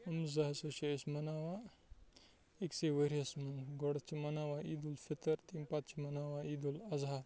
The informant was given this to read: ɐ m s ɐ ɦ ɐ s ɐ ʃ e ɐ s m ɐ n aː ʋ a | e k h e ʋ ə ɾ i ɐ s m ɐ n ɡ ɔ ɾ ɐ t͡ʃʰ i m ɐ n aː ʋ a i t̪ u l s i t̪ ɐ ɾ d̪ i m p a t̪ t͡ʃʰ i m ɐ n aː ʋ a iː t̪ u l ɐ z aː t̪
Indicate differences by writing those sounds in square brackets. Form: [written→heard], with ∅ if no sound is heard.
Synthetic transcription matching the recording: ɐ m [s→z] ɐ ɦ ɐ s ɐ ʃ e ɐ s m ɐ n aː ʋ a | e k [h→s] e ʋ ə ɾ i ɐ s m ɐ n ɡ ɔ [ɾ→ɽ] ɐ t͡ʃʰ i m ɐ n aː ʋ a i [t̪→d̪] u l [s→f] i t̪ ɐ ɾ [d̪→t̪] i m p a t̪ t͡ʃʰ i m ɐ n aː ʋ a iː [t̪→d̪] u l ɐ z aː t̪